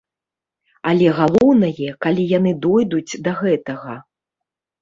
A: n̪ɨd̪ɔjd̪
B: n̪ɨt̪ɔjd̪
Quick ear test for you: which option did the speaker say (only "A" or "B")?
A